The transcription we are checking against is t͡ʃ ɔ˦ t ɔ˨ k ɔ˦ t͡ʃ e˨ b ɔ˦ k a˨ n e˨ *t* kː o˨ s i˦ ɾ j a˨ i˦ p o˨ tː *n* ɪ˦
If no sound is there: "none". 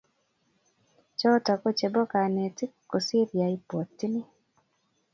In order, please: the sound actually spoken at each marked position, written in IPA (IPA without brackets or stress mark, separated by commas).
t, n